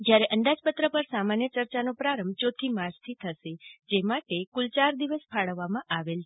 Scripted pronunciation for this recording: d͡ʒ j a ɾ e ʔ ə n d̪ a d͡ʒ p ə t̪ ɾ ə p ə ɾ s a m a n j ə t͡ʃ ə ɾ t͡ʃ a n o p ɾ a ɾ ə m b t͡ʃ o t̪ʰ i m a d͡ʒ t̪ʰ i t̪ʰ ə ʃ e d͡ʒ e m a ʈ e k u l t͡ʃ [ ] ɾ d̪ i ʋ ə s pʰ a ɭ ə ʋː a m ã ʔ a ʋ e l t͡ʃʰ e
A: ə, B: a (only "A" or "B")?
B